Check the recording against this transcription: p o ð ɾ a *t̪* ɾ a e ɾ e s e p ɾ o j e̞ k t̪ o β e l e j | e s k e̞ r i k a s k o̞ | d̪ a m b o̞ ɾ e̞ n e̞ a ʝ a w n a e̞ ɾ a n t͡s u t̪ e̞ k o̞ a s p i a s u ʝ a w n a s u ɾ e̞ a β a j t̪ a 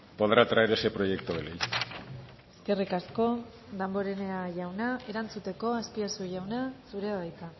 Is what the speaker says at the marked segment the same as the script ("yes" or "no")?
yes